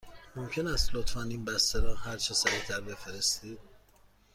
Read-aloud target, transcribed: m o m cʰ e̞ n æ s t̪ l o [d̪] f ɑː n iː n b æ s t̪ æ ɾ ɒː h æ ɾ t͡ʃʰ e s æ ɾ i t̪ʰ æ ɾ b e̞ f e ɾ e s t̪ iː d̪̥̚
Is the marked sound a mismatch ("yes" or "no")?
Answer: yes